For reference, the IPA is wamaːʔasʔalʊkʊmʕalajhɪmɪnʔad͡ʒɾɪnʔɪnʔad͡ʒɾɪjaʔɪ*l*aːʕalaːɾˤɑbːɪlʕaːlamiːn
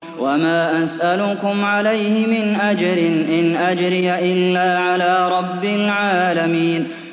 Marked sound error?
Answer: yes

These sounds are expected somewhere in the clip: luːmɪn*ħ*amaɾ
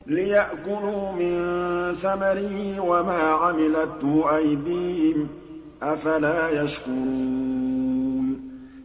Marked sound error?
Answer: yes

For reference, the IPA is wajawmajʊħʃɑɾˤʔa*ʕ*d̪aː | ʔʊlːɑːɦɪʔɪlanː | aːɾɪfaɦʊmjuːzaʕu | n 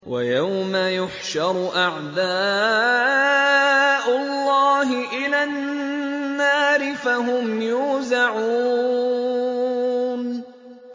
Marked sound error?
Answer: no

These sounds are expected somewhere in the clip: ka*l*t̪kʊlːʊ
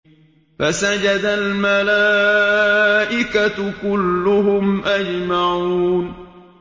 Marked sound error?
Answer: yes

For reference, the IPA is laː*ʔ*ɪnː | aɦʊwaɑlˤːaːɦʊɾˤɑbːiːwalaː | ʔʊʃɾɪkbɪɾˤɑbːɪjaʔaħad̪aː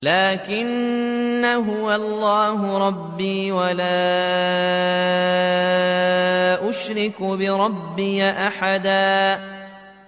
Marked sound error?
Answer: yes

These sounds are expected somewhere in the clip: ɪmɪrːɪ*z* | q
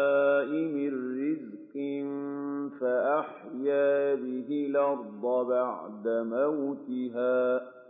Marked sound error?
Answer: no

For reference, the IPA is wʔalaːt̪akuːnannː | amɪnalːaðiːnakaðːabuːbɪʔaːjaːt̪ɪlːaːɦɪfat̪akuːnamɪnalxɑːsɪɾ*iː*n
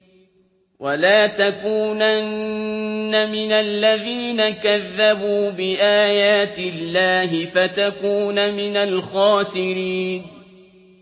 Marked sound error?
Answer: no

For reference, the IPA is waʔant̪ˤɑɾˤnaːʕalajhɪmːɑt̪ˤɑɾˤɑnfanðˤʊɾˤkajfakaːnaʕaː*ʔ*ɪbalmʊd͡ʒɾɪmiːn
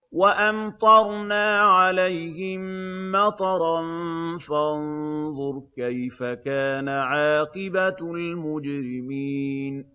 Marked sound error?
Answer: yes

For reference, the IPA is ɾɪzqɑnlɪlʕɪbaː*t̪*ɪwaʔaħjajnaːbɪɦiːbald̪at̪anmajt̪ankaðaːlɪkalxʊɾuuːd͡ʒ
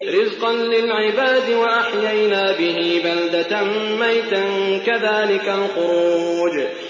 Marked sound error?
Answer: yes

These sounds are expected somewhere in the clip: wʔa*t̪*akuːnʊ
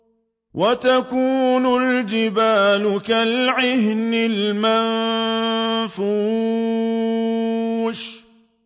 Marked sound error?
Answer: no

